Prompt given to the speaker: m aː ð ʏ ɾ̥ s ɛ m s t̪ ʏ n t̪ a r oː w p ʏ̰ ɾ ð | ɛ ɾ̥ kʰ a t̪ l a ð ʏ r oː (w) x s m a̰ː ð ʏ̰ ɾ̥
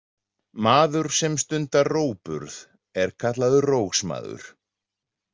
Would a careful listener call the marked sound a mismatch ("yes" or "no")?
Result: no